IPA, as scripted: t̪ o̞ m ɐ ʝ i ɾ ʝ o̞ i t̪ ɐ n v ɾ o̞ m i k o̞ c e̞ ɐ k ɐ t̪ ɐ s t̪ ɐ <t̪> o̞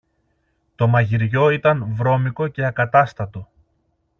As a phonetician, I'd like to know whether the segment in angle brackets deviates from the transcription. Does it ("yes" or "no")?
no